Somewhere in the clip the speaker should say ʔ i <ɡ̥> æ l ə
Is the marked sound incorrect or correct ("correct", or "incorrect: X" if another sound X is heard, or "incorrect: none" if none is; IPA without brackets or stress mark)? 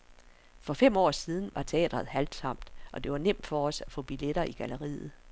correct